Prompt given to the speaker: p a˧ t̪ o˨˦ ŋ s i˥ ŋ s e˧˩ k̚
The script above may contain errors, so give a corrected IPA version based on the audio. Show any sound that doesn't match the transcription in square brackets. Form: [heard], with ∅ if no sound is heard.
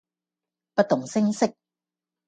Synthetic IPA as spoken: p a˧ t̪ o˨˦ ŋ s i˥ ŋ s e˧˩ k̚